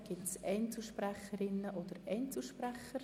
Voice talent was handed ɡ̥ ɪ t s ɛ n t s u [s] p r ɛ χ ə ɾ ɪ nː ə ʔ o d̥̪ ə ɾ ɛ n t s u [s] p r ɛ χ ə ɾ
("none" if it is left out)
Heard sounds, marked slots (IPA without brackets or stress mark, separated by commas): ʃ, ʃ